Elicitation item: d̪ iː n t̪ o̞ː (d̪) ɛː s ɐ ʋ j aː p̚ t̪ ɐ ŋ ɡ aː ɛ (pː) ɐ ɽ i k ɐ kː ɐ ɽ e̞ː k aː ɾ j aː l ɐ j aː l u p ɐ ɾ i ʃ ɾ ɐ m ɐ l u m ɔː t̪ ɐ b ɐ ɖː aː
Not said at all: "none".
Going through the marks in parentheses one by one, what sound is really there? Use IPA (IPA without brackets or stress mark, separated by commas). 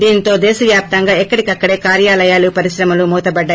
d̪, kː